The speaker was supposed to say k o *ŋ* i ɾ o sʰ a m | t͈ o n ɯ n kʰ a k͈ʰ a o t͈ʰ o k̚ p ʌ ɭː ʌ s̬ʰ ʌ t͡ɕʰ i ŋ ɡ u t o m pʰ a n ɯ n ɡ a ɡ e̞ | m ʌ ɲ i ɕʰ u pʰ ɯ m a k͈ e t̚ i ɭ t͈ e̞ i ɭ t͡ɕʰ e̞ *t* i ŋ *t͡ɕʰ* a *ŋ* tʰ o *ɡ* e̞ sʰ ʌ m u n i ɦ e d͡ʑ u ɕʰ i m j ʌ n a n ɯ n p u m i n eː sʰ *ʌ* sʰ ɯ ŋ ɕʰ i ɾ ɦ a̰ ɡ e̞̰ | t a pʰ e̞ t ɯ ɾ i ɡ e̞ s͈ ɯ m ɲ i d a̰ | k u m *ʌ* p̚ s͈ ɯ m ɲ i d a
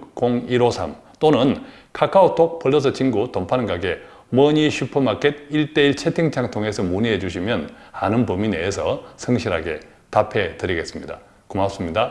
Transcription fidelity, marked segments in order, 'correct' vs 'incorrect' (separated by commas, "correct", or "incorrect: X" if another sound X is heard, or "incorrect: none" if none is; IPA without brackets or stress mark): correct, incorrect: tʰ, correct, correct, incorrect: ŋ, correct, incorrect: a